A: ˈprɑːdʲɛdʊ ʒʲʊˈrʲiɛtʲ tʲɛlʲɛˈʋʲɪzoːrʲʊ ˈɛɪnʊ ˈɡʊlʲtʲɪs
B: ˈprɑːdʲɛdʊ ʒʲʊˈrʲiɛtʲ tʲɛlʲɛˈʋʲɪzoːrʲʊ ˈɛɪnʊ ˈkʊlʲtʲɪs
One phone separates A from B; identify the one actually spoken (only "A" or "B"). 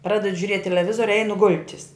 A